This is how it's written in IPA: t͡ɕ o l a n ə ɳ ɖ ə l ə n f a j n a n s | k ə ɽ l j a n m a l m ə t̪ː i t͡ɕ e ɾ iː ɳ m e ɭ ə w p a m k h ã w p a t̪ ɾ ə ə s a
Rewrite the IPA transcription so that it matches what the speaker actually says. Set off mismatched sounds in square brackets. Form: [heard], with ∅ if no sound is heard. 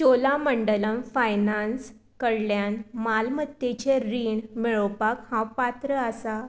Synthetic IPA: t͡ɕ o l a [m] ə ɳ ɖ ə l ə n f a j n a n s | k ə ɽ l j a n m a l m ə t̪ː [e] t͡ɕ e ɾ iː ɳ m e ɭ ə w p a [∅] k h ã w p a t̪ ɾ ə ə s a